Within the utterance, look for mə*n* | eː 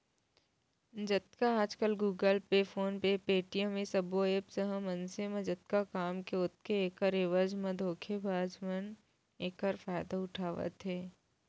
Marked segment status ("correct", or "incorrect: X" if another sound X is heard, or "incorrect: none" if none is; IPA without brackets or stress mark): correct